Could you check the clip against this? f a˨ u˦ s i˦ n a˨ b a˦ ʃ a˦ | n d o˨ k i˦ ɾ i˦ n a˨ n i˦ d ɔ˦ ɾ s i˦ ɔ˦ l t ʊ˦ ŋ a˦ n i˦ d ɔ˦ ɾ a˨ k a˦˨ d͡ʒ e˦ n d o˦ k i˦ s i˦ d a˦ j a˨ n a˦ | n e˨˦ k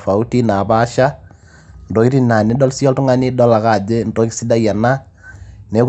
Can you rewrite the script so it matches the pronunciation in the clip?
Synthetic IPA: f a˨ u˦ t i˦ n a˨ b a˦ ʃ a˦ | n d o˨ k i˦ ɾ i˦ n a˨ n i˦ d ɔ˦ l s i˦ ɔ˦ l t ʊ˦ ŋ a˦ n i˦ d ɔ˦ l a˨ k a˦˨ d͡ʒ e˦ n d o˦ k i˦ s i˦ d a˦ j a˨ n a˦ | n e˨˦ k

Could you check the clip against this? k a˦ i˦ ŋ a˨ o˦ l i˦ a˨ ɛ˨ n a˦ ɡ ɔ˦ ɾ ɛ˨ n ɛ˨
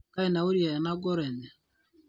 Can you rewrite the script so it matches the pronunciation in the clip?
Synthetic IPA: k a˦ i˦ n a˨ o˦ ɾ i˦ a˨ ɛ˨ n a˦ ɡ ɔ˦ ɾ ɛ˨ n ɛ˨

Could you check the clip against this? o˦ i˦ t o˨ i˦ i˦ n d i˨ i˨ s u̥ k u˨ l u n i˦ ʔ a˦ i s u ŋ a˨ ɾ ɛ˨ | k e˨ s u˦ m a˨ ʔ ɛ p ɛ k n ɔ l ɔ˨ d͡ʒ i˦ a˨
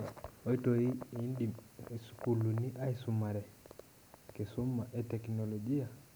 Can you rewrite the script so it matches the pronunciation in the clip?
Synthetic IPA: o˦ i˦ t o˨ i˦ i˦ n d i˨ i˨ s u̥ k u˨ l u n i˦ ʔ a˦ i s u m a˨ ɾ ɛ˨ | k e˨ s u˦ m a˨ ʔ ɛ t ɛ k n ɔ l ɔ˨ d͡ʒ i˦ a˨

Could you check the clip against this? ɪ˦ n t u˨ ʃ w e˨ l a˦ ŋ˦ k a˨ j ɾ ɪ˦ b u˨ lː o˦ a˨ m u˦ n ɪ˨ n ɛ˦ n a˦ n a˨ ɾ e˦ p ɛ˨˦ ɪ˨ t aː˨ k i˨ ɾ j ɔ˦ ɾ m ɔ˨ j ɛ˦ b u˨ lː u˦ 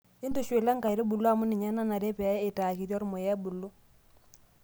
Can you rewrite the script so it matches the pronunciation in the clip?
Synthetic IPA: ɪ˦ n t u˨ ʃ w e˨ l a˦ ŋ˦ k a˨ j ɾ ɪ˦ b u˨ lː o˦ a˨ m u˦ n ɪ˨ ɲ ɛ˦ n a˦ n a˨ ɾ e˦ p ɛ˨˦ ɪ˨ t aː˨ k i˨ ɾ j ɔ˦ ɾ m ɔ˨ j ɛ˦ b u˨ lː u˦

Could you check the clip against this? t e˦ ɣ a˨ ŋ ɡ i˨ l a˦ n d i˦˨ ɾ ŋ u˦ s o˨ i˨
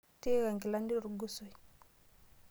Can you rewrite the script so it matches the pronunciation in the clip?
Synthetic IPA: t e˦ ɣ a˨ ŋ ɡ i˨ l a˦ n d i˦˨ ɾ ɡ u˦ s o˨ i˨

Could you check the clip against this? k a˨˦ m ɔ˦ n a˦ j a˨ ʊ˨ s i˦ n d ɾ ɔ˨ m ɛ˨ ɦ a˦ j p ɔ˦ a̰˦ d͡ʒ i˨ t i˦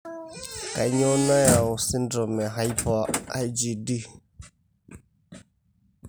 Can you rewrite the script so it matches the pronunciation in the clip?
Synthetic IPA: k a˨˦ ɲ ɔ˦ n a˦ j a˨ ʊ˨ s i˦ n d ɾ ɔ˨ m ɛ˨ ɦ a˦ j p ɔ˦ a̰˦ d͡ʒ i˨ d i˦

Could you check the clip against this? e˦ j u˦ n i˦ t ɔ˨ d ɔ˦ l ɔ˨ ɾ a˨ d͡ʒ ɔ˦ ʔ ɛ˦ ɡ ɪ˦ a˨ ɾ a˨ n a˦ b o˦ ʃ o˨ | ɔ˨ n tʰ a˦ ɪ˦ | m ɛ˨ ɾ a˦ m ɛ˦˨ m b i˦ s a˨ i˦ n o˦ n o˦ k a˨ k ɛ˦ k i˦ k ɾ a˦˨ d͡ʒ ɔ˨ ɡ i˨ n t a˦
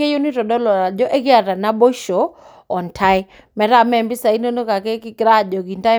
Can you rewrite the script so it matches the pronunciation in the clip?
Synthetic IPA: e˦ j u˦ n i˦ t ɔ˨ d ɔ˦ l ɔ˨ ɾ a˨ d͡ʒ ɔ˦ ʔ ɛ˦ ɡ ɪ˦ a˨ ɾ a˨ n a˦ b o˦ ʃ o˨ | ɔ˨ n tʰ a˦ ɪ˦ | m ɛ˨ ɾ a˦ m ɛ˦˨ m b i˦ s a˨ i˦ n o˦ n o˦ k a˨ k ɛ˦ k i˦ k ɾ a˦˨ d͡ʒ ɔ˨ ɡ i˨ n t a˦

